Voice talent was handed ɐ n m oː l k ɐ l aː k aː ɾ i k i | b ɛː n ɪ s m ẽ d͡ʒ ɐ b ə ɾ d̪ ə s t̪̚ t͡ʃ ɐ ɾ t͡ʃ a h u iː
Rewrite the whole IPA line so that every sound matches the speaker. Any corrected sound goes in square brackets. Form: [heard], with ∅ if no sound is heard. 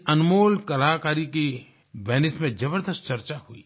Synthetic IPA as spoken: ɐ n m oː l k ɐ l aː k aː ɾ i k i | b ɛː n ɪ s m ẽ d͡ʒ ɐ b ə ɾ d̪ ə s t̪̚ t͡ʃ ɐ ɾ t͡ʃ a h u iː